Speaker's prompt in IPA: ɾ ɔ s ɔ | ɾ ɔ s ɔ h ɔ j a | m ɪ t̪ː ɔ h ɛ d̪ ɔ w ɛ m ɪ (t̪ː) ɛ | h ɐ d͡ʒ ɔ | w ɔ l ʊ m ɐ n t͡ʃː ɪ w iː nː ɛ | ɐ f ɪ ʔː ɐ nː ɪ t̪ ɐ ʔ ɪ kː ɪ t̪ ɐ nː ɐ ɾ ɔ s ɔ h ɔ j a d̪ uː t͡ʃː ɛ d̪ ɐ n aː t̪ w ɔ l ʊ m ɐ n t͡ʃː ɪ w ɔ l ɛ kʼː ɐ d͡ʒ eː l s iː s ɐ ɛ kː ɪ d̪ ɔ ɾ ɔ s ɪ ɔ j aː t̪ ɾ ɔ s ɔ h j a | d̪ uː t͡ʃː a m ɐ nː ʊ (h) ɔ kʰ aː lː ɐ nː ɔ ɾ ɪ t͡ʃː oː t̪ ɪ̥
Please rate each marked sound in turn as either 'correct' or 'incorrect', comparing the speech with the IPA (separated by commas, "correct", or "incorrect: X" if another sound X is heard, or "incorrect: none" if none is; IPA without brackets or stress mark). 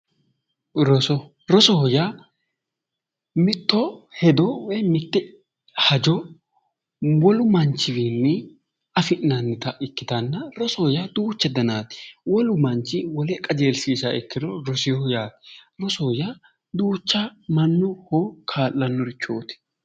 correct, correct